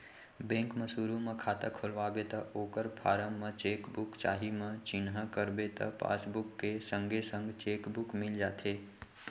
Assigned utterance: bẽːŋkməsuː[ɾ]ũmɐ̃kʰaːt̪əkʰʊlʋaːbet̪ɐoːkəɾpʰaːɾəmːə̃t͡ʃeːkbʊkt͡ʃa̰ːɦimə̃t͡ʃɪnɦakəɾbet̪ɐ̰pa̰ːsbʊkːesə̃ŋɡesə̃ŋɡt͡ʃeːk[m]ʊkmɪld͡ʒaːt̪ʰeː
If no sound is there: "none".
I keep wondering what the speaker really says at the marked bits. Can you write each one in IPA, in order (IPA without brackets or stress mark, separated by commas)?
ɾ, b